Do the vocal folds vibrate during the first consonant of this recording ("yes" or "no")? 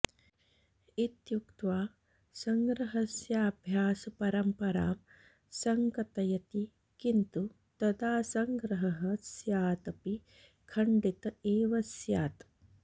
no